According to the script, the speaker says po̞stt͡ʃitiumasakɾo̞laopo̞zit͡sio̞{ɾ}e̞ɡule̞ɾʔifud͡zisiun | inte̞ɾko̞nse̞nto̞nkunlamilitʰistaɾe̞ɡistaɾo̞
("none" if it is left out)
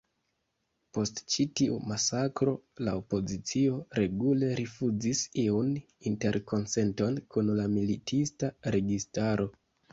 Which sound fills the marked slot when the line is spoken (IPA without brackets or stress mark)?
ɾ